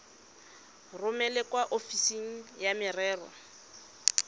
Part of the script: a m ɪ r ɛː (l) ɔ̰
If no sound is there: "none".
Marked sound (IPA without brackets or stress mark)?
r